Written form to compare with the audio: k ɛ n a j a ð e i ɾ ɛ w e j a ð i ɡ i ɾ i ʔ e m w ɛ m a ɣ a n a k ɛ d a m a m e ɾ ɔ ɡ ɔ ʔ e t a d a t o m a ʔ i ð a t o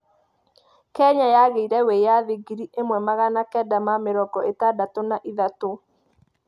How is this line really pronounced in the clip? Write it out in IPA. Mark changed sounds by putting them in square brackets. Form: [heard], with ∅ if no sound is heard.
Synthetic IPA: k ɛ [ɲ] a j a [ɣ] e i ɾ ɛ w e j a ð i ɡ i ɾ i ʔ e m w ɛ m a ɣ a n a k ɛ d a m a m e ɾ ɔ ɡ ɔ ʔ e t a d a t o [n] a ʔ i ð a t o

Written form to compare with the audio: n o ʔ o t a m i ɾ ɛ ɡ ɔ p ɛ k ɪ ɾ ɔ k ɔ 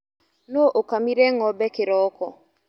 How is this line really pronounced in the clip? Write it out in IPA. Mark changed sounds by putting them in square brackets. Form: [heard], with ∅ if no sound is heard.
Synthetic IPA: n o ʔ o [k] a m i ɾ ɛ [ŋ] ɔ [b] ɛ k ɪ ɾ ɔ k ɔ

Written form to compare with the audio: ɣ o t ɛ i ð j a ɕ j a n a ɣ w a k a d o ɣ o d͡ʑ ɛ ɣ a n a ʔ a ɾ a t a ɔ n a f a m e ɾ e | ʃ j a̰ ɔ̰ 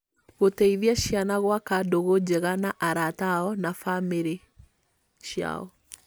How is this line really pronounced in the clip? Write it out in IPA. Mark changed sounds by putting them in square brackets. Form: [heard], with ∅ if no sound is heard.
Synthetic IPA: ɣ o t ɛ i ð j a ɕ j a n a ɣ w a k a d o ɣ o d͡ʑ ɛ ɣ a n a ʔ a ɾ a t a ɔ n a f a m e ɾ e | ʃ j a̰ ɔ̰

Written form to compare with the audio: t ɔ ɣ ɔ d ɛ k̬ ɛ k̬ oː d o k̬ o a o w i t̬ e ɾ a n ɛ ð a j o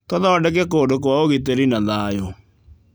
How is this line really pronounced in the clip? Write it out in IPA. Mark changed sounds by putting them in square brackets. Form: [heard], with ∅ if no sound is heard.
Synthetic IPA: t ɔ [ð] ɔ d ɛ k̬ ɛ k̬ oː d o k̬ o a o [ɣ] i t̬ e ɾ [i] n [a] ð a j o

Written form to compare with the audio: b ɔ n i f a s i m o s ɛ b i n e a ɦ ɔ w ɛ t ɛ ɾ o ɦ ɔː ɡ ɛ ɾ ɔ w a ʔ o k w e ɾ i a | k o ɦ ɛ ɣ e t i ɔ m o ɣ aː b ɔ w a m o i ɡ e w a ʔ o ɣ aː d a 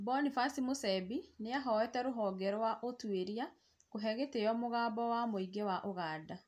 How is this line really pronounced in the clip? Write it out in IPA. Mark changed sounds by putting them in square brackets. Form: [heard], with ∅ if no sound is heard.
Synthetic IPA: b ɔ n i f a s i m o s ɛ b i n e a ɦ ɔ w ɛ t ɛ ɾ o ɦ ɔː ɡ ɛ ɾ ɔ w a ʔ o [t] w e ɾ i a | k o ɦ ɛ ɣ e t [e] ɔ m o ɣ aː b ɔ w a m o i ɡ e w a ʔ o ɣ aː d a

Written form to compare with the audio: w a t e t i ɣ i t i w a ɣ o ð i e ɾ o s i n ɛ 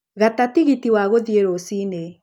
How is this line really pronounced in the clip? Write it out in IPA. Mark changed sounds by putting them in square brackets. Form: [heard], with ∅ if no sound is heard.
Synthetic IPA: [ɣ] a t [a] t i ɣ i t i w a ɣ o ð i e ɾ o s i n [e]

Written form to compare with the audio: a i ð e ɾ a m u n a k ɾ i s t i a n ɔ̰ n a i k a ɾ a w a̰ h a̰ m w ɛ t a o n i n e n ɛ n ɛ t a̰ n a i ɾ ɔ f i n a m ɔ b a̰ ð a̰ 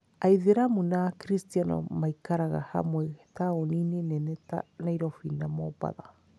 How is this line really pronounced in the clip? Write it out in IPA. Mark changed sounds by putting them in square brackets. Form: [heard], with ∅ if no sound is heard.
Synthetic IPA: a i ð e ɾ a m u n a k ɾ i s t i a n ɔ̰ [m] a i k a ɾ a [ɣ] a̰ h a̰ m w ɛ t a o n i n e n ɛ n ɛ t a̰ n a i ɾ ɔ f i n a m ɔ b a̰ ð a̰

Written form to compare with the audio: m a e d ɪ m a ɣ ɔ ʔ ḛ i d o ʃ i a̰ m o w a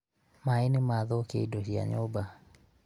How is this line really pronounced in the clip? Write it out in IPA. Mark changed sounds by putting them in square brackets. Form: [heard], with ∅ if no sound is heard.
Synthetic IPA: m a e [n] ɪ m a [ð] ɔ [k] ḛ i d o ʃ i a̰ [ɲ] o [b] a

